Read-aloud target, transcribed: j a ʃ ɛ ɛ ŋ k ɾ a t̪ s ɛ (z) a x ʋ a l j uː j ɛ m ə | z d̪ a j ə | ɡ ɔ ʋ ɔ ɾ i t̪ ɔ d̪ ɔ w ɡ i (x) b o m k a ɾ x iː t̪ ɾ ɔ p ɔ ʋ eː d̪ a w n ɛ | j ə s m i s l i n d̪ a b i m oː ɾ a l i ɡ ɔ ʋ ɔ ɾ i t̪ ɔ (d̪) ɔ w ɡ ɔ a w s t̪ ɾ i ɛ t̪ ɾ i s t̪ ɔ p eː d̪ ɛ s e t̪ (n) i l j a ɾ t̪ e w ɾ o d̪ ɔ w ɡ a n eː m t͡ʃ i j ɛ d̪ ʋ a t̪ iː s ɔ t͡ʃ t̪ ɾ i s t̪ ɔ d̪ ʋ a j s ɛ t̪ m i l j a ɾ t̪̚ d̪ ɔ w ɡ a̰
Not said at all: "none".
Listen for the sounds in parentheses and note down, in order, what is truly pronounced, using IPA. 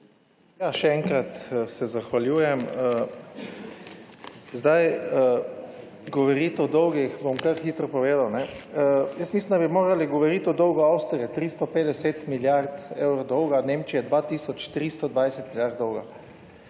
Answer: z, x, d̪, m

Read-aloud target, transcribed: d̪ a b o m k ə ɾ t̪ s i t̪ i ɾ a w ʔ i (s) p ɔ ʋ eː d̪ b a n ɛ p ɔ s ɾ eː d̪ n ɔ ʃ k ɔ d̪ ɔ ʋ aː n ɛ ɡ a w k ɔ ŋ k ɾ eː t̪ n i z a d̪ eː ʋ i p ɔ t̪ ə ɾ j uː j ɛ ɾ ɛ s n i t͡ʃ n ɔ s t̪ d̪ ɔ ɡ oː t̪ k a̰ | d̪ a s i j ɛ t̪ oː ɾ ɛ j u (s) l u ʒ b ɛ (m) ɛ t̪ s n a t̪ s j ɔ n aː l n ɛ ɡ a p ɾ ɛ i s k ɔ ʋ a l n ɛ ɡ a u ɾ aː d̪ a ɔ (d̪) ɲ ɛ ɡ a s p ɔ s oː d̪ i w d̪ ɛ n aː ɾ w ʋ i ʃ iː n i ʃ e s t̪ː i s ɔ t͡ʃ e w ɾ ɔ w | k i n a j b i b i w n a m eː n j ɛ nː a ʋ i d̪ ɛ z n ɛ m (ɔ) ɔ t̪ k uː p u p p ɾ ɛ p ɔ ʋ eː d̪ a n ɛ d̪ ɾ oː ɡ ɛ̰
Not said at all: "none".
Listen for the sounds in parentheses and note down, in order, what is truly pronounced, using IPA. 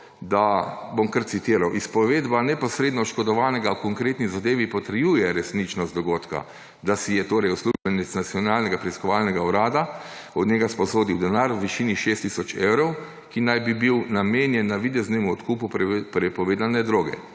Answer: s, s, n, d̪, u

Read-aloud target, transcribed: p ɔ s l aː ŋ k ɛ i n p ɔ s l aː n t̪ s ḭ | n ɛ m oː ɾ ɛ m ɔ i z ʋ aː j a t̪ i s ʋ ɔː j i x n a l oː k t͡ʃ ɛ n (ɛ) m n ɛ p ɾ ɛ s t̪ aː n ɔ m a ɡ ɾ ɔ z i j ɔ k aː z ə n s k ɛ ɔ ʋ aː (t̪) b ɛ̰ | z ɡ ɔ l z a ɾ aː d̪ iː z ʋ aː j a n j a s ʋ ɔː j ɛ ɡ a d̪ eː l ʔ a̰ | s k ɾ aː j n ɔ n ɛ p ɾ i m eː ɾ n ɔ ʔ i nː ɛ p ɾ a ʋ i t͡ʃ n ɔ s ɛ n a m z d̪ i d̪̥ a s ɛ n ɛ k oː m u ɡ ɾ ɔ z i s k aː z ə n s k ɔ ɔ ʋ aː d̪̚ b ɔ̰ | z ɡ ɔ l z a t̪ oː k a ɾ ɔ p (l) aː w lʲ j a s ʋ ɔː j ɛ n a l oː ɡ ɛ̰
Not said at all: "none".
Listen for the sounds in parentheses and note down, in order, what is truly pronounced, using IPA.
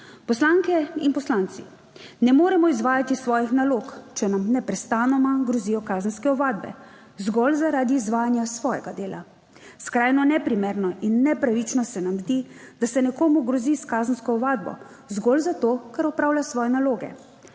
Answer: a, d̪, ɾ

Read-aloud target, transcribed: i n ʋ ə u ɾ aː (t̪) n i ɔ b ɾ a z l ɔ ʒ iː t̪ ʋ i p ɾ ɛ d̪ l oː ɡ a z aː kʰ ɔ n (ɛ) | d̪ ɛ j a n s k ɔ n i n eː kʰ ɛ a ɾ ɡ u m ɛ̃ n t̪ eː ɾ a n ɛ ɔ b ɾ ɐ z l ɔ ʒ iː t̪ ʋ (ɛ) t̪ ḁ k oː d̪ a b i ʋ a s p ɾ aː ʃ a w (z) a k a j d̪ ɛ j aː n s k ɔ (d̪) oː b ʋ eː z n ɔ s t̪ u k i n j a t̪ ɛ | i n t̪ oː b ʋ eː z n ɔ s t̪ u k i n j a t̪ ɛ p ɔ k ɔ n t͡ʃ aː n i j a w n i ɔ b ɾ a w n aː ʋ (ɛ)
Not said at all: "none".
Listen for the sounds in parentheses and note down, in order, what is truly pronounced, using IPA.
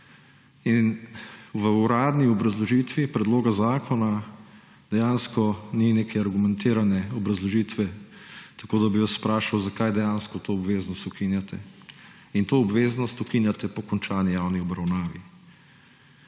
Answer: d̪, a, ɛ, z, t̪, i

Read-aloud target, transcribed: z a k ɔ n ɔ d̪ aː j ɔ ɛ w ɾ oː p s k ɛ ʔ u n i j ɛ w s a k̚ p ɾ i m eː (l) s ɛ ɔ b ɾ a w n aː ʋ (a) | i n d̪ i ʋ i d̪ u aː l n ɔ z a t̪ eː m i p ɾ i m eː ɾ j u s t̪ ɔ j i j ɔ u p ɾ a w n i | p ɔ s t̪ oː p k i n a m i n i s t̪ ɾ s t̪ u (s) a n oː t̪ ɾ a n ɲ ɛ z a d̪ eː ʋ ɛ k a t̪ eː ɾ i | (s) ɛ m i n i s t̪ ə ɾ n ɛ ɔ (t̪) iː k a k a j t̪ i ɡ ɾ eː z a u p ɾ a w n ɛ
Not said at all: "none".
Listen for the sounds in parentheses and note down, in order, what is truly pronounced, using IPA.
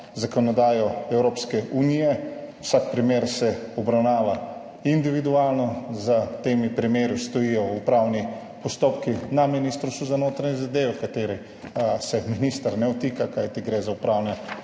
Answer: ɾ, a, z, s, t̪

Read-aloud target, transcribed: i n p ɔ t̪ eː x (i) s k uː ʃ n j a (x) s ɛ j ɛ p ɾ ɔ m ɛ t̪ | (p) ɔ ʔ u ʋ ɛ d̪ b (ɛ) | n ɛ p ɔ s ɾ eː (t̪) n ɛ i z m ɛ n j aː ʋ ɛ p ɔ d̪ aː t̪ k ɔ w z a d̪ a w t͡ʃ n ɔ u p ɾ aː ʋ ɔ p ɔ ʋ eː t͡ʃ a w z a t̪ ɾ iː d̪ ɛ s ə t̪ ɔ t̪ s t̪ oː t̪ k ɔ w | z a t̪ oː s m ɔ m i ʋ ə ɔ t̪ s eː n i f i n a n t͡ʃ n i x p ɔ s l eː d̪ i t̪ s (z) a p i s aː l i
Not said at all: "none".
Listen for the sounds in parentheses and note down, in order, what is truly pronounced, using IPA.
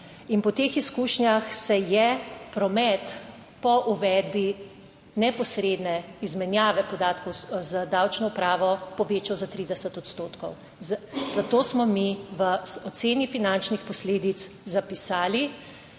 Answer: i, x, p, i, d̪, z

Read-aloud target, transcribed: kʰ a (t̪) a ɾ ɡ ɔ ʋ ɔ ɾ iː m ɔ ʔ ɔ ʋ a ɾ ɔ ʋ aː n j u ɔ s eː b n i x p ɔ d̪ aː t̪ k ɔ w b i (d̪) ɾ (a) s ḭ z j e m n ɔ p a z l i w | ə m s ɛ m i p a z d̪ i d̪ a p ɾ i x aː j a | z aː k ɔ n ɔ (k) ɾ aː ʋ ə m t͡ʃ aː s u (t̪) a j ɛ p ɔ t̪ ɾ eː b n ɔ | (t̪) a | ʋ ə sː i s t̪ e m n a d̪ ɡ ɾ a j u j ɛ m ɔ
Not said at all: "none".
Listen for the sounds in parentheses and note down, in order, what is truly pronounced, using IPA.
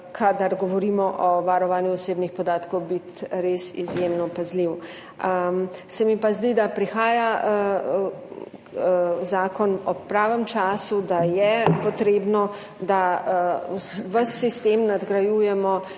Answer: d̪, t̪, e, p, d̪, d̪

